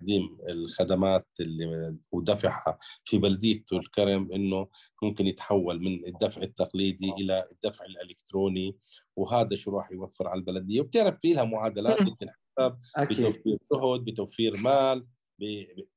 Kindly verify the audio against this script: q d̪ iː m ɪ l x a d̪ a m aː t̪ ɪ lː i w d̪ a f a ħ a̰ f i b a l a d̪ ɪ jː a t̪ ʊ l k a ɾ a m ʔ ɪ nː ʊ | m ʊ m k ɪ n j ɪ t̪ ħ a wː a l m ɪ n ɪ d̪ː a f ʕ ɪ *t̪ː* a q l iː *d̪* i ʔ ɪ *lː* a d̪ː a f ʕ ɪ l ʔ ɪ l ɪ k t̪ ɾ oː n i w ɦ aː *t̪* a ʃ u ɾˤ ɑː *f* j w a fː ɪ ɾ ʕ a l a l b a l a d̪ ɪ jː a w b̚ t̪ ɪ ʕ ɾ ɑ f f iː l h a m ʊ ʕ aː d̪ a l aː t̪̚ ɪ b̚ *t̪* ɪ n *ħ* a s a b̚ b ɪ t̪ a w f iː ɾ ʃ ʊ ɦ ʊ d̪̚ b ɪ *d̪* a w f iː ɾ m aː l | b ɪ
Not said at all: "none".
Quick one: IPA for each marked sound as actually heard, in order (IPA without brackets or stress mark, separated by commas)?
t̪ː, d̪, l, d̪, ħ, t̪, ħ, t̪